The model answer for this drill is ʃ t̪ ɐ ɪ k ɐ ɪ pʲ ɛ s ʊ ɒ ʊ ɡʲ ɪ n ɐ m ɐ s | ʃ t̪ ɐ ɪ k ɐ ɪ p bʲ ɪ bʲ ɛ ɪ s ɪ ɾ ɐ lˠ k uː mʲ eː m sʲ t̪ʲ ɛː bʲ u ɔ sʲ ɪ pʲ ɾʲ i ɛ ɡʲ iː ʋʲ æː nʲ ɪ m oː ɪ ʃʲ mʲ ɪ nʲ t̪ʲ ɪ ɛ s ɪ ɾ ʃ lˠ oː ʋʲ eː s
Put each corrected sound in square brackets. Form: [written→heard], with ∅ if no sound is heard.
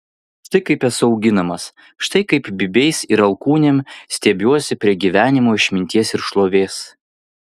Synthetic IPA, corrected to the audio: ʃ t̪ ɐ ɪ k ɐ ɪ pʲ ɛ s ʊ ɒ ʊ ɡʲ ɪ n ɐ m ɐ s | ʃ t̪ ɐ ɪ k ɐ ɪ p bʲ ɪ bʲ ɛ ɪ s ɪ ɾ ɐ lˠ k uː [mʲ→nʲ] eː m sʲ t̪ʲ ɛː bʲ u ɔ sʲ ɪ pʲ ɾʲ i ɛ ɡʲ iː ʋʲ æː nʲ ɪ m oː ɪ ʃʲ mʲ ɪ nʲ t̪ʲ [ɪ→i] ɛ s ɪ ɾ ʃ lˠ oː ʋʲ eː s